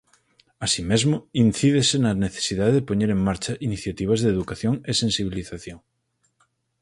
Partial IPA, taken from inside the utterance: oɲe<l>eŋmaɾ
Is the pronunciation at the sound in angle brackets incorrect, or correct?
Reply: incorrect